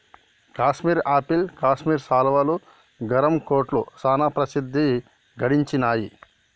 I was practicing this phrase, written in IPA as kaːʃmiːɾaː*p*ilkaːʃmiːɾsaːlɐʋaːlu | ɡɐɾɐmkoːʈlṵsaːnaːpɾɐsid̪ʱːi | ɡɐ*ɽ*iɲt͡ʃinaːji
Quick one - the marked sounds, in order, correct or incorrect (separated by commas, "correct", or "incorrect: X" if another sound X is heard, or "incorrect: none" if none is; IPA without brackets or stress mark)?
correct, correct